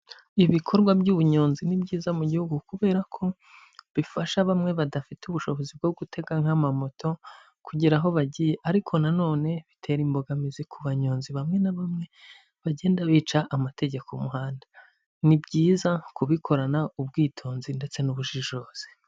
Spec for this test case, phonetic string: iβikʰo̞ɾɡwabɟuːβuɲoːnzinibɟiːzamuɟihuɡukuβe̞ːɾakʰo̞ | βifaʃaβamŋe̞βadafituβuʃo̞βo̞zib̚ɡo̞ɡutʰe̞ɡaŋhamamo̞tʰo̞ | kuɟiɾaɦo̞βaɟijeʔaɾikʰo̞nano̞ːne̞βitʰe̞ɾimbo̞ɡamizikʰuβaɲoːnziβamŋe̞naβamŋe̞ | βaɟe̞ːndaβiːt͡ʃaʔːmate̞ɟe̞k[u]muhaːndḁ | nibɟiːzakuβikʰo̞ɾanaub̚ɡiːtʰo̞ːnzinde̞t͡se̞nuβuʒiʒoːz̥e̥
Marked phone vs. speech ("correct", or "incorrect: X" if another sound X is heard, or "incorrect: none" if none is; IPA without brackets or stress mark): incorrect: o